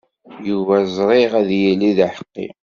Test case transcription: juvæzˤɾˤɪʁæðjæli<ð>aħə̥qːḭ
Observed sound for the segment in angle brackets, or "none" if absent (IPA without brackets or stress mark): ð